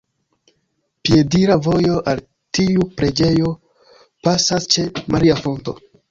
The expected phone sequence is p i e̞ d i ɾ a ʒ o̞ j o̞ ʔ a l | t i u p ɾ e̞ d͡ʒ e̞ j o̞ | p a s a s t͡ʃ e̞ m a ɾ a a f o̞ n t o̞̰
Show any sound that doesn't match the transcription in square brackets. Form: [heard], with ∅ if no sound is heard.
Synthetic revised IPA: p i e̞ d i ɾ a [v] o̞ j o̞ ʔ a l | t i u p ɾ e̞ d͡ʒ e̞ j o̞ | p a s a s t͡ʃ e̞ m a ɾ [i] a f o̞ n t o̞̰